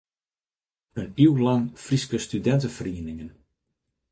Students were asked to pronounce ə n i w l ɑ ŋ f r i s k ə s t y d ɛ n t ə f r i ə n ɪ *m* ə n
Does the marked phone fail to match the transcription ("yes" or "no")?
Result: yes